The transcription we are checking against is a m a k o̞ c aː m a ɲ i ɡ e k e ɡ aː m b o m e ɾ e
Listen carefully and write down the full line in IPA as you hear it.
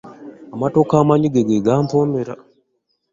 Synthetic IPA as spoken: a m a t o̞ k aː m a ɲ i ɡ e ɡ e ɡ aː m p o m e ɾ a